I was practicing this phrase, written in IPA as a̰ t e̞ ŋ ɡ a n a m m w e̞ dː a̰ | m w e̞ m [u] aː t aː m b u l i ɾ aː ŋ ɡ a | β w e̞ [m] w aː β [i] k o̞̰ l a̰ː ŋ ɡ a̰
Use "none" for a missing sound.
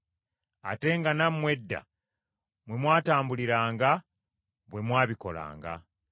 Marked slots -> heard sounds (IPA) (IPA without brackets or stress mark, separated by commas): w, m, i